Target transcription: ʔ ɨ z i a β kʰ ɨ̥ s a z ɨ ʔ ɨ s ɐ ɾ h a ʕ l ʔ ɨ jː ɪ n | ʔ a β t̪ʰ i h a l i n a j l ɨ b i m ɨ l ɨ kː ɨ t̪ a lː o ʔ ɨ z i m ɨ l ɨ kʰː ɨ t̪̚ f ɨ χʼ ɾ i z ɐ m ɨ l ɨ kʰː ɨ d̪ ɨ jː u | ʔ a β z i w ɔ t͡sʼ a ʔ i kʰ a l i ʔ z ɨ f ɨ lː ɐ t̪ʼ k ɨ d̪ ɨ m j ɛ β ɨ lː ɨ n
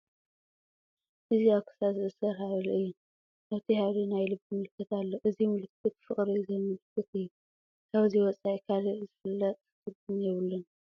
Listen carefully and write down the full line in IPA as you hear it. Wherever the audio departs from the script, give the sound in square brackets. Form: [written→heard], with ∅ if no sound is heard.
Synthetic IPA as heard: ʔ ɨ z i a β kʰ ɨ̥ s a z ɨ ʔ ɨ s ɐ ɾ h a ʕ l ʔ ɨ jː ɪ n | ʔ a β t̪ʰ i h a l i n a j l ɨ b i m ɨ l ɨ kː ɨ t̪ a lː o ʔ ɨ z i m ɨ l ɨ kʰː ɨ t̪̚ f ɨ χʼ ɾ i z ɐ m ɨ l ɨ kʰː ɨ [d̪→t̪] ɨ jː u | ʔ a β z i w ɔ t͡sʼ a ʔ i kʰ a l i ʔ z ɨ f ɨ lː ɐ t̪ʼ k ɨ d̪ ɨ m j ɛ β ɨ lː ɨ n

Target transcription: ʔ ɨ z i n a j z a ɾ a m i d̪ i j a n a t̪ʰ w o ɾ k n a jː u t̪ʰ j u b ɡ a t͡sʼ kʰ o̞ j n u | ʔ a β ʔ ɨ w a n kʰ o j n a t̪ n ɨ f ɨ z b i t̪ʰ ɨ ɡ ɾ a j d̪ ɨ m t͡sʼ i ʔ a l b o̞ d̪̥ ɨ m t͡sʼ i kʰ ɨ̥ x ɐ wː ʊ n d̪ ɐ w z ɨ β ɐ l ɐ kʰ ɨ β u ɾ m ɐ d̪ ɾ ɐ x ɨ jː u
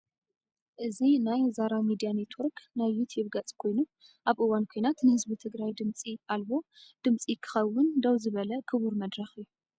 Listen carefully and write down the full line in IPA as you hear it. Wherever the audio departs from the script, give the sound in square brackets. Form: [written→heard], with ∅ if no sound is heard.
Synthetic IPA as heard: ʔ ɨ z i n a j z a ɾ a m i d̪ i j a n [a→e] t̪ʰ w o ɾ k n a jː u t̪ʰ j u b ɡ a t͡sʼ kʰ o̞ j n u | ʔ a β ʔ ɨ w a n kʰ o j n a t̪ n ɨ [f→h] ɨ z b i t̪ʰ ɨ ɡ ɾ a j d̪ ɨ m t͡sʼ i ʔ a l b o̞ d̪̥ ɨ m t͡sʼ i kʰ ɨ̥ x ɐ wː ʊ n d̪ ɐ w z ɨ β ɐ l ɐ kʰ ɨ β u ɾ m ɐ d̪ ɾ ɐ x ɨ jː u

